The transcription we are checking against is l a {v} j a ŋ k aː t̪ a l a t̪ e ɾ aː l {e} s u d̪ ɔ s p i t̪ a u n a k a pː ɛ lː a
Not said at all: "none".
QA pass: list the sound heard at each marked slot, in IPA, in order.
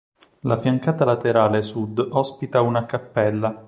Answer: f, e

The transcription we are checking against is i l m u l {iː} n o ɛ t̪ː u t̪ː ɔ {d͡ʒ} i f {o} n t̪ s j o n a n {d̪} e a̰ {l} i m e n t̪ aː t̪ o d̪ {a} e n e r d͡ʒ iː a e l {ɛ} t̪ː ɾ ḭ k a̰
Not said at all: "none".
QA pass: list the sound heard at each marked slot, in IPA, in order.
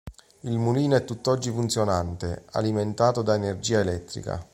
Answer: iː, d͡ʒː, u, t̪, l, a, ɛ

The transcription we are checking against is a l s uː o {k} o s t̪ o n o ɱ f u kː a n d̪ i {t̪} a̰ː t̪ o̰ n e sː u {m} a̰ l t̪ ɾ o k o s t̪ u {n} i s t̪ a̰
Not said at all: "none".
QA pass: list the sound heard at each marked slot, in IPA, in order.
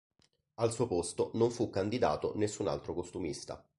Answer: p, d̪, n, m

